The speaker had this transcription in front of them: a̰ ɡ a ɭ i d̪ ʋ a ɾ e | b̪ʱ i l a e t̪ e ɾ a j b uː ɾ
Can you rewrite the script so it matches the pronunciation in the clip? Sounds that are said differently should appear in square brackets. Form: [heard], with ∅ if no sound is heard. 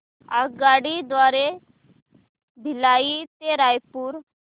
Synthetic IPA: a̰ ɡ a [ɽ] i d̪ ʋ a ɾ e | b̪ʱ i l a [i] t̪ e ɾ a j [p] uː ɾ